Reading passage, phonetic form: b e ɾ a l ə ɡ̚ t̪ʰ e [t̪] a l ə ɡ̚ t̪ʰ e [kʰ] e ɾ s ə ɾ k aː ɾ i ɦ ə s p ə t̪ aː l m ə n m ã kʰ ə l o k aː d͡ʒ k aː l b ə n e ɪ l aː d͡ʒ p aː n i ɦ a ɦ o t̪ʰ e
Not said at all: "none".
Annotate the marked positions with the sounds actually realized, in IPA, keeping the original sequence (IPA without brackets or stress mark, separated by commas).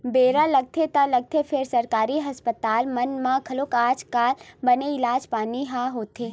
t̪, pʰ